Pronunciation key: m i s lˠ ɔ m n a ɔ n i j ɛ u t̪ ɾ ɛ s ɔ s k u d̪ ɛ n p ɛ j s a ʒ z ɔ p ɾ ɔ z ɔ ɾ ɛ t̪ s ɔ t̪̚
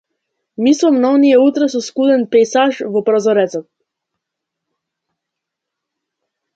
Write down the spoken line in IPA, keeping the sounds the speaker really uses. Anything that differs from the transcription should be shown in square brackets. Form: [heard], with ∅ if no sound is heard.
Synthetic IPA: m i s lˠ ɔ m n a ɔ n i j ɛ u t̪ ɾ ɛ s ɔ s k u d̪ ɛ n p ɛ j s a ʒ [v] ɔ p ɾ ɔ z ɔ ɾ ɛ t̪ s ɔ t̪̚